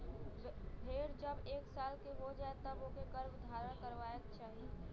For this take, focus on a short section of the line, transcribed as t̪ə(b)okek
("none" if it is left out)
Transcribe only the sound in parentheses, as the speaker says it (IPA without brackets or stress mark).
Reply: b